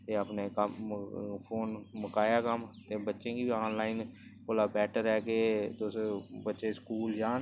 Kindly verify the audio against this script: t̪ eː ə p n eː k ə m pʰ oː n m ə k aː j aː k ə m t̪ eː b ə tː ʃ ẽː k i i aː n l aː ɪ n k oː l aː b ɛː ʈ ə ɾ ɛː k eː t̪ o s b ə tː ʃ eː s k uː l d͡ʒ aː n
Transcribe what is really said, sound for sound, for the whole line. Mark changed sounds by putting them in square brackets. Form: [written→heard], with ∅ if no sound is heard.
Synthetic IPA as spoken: t̪ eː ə p n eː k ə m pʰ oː n m ə k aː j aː k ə m t̪ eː b ə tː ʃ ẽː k i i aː n l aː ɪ n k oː l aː b ɛː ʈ ə ɾ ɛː k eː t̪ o s b ə tː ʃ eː s k uː l d͡ʒ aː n